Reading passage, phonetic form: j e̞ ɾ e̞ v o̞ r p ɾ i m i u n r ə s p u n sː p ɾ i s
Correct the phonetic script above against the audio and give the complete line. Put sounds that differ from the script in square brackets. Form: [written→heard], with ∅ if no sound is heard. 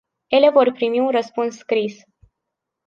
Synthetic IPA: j e̞ [ɾ→l] e̞ v o̞ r p ɾ i m i u n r ə s p u n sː [p→k] ɾ i s